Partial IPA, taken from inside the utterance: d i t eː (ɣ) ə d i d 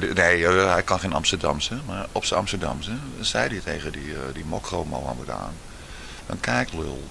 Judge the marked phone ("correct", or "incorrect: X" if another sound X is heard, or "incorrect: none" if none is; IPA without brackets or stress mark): correct